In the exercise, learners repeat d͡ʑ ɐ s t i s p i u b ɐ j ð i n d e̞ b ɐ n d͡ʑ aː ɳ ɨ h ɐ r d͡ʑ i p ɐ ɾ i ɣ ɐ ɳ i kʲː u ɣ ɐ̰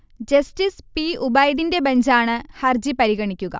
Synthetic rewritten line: d͡ʑ ɐ s t i s p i u b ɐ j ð i n d e̞ b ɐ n d͡ʑ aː ɳ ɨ h ɐ r d͡ʑ i p ɐ ɾ i ɣ ɐ ɳ i kʲː u ɣ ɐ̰